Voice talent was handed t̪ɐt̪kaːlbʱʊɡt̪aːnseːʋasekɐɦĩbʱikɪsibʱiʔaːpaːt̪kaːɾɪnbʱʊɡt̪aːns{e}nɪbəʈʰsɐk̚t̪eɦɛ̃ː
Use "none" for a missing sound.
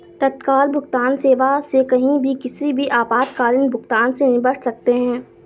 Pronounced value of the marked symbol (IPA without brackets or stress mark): e